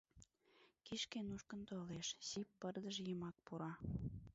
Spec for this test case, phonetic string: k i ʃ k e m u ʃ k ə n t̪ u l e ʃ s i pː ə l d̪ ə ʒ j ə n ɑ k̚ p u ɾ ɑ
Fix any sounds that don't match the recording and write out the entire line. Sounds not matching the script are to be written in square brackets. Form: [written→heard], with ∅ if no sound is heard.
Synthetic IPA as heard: k i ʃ k e [m→n] u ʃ k ə n t̪ [u→o] l e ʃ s i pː ə [l→r] d̪ ə ʒ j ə [n→m] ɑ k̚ p u ɾ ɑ